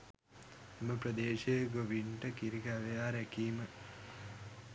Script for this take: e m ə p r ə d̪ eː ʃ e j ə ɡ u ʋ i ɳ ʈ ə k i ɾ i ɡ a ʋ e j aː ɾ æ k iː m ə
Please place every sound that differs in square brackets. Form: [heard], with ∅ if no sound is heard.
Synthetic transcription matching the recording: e m ə p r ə d̪ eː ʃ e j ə ɡ [o] ʋ i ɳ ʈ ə k i ɾ i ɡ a ʋ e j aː ɾ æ k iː m ə

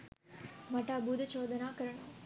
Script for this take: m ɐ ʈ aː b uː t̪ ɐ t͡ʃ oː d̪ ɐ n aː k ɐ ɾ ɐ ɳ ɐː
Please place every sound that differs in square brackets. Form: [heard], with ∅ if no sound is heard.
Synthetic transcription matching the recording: m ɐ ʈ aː b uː [d̪] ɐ t͡ʃ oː d̪ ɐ n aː k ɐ ɾ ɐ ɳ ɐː

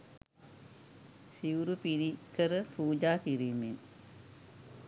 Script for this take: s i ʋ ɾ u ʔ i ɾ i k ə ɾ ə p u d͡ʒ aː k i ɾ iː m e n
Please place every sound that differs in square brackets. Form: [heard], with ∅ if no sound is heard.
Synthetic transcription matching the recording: s i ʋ ɾ u [p] i ɾ i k ə ɾ ə p [uː] d͡ʒ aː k i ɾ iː m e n

